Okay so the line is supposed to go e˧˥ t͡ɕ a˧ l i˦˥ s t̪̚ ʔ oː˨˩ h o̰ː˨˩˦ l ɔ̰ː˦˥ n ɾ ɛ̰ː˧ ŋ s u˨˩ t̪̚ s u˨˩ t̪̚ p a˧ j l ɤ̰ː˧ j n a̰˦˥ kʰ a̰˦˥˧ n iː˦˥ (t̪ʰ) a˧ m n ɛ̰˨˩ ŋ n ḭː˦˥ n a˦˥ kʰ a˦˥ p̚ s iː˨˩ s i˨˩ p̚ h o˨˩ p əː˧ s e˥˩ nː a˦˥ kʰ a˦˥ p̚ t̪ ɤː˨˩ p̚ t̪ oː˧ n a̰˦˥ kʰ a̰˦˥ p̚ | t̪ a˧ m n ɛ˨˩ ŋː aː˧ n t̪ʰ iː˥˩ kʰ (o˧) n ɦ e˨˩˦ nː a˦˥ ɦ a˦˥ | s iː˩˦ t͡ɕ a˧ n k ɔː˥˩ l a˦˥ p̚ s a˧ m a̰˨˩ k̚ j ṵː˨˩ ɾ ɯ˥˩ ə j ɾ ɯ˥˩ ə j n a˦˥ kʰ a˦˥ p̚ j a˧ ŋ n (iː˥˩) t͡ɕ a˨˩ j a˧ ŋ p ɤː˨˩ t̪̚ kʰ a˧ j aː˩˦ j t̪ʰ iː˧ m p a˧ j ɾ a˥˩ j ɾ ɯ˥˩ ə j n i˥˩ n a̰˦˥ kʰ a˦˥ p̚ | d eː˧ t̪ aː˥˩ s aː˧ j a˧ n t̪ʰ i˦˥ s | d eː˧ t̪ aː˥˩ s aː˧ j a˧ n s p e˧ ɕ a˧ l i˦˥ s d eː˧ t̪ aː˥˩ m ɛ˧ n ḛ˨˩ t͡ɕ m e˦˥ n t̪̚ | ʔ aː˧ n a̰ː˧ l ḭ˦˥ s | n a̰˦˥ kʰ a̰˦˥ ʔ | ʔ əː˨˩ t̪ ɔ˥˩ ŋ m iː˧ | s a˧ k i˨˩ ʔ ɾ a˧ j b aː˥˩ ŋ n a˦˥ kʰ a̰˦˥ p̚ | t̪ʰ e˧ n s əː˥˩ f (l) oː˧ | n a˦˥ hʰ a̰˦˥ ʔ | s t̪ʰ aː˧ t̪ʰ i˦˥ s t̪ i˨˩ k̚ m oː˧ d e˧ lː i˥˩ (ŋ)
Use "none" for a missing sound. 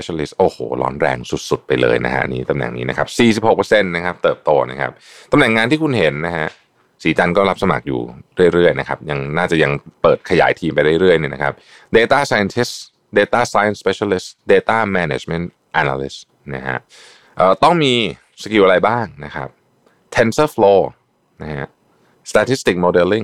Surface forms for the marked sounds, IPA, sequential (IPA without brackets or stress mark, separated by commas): t̪, u˧, aː˥˩, l, ŋ